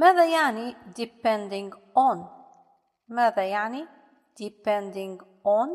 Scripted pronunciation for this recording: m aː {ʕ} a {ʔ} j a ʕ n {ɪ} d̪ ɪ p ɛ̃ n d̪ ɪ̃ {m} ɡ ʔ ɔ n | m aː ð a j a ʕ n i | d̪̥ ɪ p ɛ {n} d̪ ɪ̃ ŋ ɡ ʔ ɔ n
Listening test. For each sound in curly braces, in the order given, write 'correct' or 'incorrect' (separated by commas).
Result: incorrect, incorrect, incorrect, incorrect, correct